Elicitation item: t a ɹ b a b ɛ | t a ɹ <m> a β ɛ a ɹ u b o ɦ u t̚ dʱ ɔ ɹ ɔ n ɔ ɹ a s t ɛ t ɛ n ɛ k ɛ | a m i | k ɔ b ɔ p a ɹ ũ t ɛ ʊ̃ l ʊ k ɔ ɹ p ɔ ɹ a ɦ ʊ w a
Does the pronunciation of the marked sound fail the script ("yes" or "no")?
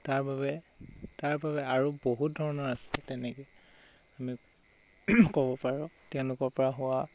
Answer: yes